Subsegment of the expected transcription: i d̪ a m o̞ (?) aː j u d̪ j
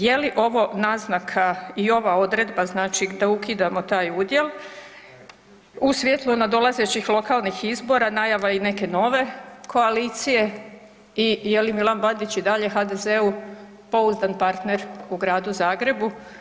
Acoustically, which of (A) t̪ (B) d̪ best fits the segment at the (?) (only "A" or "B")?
A